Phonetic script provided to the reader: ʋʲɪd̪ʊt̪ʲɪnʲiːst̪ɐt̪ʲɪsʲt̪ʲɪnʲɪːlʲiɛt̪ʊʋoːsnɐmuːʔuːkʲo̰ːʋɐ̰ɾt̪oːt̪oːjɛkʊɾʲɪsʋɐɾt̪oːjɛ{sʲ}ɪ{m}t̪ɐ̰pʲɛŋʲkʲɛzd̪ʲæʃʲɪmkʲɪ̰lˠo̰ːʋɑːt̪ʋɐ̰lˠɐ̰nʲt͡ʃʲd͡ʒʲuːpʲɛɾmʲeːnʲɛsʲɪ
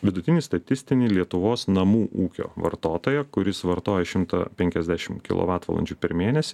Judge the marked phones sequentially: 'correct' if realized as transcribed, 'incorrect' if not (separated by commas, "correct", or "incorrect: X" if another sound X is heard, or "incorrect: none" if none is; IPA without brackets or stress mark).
incorrect: ʃʲ, correct